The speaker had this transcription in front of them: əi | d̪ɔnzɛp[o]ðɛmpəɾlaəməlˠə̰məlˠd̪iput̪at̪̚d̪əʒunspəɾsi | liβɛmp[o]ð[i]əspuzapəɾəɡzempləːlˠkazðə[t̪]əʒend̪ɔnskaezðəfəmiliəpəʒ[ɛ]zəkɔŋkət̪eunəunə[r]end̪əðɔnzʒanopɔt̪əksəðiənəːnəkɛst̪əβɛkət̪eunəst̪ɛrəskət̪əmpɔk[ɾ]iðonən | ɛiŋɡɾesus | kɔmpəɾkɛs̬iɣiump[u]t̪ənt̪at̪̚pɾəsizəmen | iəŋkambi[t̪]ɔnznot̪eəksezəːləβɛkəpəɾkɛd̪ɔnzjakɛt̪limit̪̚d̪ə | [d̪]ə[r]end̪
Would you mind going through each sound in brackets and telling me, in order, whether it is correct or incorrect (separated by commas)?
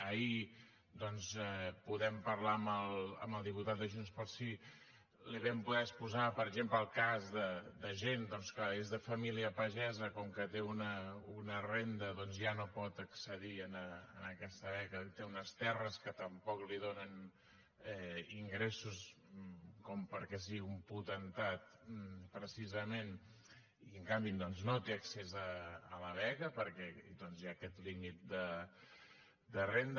incorrect, incorrect, incorrect, incorrect, correct, correct, incorrect, correct, incorrect, correct, correct